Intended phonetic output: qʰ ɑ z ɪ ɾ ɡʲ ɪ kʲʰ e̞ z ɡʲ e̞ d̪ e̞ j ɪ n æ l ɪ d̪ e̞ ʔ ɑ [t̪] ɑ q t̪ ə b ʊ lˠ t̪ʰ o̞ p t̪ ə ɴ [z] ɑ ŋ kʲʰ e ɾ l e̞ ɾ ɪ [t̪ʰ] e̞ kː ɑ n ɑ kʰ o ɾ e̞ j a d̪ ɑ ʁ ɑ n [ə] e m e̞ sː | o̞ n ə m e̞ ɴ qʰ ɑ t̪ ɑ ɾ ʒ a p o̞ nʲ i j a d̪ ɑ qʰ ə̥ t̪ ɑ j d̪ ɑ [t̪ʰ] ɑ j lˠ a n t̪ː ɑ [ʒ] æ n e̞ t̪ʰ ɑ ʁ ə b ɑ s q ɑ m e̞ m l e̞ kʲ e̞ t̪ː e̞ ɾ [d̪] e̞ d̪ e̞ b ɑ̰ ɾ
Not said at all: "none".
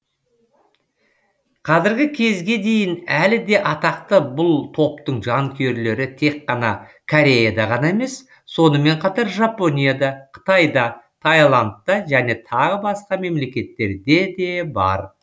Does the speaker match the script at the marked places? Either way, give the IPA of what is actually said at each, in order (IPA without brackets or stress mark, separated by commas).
t̪, ʒ, t̪ʰ, ɑ, t̪ʰ, ʒ, d̪